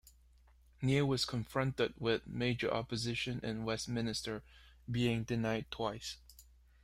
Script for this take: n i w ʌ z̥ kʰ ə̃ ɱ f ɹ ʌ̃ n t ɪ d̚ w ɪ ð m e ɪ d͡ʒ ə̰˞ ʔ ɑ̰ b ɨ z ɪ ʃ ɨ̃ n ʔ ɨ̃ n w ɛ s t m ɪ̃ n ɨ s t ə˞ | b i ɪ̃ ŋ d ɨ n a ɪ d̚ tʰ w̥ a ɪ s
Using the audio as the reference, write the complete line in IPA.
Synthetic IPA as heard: n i w ʌ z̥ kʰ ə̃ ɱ f ɹ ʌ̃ n t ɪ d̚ w ɪ ð m e ɪ d͡ʒ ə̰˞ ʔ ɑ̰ p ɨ z ɪ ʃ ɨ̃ n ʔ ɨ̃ n w ɛ s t m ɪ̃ n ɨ s t ə˞ | b i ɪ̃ ŋ d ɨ n a ɪ d̚ tʰ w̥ a ɪ s